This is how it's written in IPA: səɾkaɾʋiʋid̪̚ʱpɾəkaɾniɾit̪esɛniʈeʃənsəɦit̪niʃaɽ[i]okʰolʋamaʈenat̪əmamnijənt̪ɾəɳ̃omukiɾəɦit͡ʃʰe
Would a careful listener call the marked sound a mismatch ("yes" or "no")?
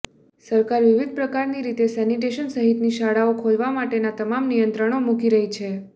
yes